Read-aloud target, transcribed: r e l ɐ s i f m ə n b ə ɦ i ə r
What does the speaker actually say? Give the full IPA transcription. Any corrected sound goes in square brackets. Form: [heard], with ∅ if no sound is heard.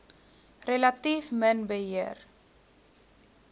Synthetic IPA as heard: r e l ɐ [t] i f m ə n b ə ɦ i ə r